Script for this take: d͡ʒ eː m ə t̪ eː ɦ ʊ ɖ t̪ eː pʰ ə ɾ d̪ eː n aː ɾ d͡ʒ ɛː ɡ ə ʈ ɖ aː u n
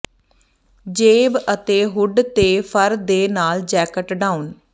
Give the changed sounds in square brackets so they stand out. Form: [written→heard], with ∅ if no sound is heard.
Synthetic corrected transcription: d͡ʒ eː [m→b] ə t̪ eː ɦ ʊ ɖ t̪ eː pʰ ə ɾ d̪ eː n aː [ɾ→l] d͡ʒ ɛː [ɡ→k] ə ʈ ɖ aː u n